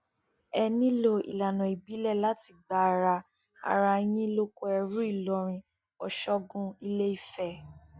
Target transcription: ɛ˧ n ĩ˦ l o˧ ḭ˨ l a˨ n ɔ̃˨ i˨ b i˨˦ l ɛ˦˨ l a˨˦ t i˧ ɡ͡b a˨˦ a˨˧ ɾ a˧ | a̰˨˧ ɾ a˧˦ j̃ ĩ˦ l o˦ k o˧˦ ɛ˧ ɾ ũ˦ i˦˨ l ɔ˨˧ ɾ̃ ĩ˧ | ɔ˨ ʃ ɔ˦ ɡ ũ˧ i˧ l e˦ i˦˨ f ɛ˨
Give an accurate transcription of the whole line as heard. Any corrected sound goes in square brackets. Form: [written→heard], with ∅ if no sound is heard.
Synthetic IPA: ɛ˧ n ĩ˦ l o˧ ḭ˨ l a˨ n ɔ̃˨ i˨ b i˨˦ l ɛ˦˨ l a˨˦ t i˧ ɡ͡b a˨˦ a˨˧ ɾ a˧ | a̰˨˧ ɾ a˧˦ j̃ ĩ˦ l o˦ k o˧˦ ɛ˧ ɾ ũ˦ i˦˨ l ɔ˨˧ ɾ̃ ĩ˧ | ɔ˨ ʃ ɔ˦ ɡ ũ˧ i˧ l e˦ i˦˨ f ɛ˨